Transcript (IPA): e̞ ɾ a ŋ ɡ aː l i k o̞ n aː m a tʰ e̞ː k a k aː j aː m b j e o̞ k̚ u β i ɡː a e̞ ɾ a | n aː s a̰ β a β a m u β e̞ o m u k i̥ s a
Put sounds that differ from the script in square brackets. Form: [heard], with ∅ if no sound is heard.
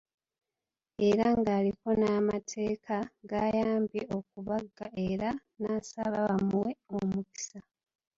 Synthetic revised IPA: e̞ ɾ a ŋ ɡ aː l i k o̞ n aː m a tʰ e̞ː k a [ɡ] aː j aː m b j e o̞ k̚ u β [a] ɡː a e̞ ɾ a | n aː s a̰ β a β a m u [w] e̞ o m u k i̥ s a